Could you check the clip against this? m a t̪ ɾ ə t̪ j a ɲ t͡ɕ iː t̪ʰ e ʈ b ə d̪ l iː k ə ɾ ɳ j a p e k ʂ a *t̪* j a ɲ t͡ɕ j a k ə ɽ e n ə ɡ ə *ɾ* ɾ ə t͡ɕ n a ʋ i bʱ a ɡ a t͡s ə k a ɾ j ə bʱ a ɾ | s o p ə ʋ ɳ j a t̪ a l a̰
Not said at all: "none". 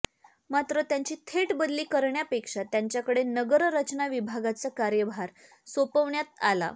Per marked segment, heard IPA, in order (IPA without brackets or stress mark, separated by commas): t̪, ɾ